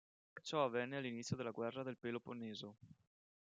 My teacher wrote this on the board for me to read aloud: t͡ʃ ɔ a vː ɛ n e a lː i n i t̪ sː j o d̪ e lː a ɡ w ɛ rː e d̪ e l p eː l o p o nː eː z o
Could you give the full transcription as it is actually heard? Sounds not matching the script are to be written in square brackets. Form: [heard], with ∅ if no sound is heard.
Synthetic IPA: t͡ʃ ɔ a vː ɛ [nː] e a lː i n i t̪ sː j o d̪ e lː a ɡ w ɛ rː [a] d̪ e l p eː l o p o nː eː z o

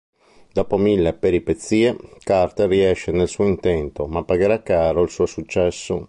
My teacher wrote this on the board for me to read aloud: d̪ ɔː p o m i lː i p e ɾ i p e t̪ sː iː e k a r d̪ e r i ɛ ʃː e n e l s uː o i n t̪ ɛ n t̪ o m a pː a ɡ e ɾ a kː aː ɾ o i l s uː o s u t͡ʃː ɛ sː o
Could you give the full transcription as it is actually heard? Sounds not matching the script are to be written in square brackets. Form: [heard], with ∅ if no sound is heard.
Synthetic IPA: d̪ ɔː p o m i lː [e] p e ɾ i p e t̪ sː iː e k a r [t̪] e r i ɛ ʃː e n e l s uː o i n t̪ ɛ n t̪ o m a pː a ɡ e ɾ a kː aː ɾ o i l s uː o s u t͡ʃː ɛ sː o

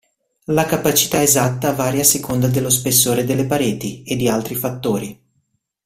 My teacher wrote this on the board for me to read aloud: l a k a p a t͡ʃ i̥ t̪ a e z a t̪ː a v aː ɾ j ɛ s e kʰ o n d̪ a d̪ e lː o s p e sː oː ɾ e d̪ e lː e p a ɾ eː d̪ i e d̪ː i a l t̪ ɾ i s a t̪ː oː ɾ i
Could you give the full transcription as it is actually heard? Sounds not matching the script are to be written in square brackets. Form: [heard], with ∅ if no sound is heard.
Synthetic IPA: l a k a p a t͡ʃ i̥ t̪ a e z a t̪ː a v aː ɾ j [a] s e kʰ o n d̪ a d̪ e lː o s p e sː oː ɾ e d̪ e lː e p a ɾ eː [t̪] i e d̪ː i a l t̪ ɾ i [f] a t̪ː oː ɾ i

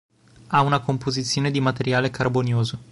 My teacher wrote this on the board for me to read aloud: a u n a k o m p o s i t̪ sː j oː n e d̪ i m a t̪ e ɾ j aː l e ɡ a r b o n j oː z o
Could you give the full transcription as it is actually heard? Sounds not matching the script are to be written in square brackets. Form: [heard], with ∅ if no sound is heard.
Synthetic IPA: a u n a k o m p o [z] i t̪ sː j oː n e d̪ i m a t̪ e ɾ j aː l e [k] a r b o n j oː z o

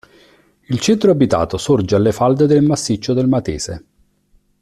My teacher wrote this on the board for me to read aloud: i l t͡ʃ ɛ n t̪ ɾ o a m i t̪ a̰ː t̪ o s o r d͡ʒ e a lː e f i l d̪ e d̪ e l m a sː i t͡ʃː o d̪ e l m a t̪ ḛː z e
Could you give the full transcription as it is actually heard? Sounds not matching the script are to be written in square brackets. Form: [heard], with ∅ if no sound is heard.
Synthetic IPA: i l t͡ʃ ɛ n t̪ ɾ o a [b] i t̪ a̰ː t̪ o s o r d͡ʒ e a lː e f [a] l d̪ e d̪ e l m a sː i t͡ʃː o d̪ e l m a t̪ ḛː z e

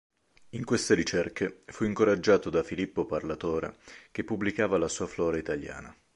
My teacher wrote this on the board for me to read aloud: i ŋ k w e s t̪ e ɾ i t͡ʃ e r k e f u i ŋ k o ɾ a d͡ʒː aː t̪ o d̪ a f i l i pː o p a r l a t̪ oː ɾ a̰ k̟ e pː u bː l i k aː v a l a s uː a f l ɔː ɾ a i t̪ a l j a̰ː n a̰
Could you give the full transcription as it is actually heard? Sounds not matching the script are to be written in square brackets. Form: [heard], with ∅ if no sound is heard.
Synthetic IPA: i ŋ k w e s t̪ e ɾ i t͡ʃ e r k e f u i ŋ k o ɾ a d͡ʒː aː t̪ o d̪ a f i l i pː o p a r l a t̪ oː ɾ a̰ k̟ e pː u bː l i k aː v a l a s uː a f l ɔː ɾ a i t̪ a l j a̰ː n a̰

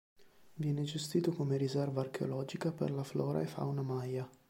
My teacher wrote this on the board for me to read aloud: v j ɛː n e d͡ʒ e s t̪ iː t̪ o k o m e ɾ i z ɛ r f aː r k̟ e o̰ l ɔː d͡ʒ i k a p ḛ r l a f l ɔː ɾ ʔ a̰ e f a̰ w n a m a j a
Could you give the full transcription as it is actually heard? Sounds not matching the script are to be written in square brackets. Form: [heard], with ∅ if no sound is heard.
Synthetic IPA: v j ɛː n e d͡ʒ e s t̪ iː t̪ o k o m e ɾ i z ɛ r [v] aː r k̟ e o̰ l ɔː d͡ʒ i k a p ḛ r l a f l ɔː ɾ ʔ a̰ e f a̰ w n a m a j a

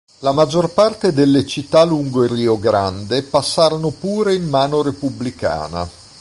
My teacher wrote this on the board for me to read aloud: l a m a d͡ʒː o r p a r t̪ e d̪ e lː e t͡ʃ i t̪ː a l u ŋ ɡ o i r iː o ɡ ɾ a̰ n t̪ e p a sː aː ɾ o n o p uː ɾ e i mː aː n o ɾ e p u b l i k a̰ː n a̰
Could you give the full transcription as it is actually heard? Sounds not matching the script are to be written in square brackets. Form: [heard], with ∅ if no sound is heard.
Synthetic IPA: l a m a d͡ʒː o r p a r t̪ e d̪ e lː e t͡ʃ i t̪ː a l u ŋ ɡ o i r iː o ɡ ɾ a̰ n [d̪] e p a sː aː ɾ o n o p uː ɾ e i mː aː n o ɾ e p u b l i k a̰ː n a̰

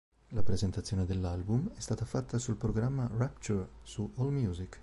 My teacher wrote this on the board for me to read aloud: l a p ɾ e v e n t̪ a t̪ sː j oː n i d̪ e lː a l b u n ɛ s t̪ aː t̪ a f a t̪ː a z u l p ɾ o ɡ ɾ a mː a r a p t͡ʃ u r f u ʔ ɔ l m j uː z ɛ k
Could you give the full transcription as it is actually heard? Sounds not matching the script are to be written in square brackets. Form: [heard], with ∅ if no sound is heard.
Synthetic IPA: l a p ɾ e [z] e n t̪ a t̪ sː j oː n [e] d̪ e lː a l b u [m] ɛ s t̪ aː t̪ a f a t̪ː a [s] u l p ɾ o ɡ ɾ a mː a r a p t͡ʃ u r [s] u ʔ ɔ l m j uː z [i] k

